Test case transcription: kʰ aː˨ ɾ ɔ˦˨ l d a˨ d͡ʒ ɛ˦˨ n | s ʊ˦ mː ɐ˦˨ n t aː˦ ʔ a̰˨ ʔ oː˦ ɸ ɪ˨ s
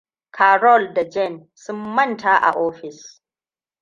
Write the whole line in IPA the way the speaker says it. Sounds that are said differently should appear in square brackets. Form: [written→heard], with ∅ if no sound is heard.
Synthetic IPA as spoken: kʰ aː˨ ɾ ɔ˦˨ l d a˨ d͡ʒ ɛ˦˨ n | s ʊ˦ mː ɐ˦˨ n t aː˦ ʔ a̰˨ ʔ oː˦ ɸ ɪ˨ s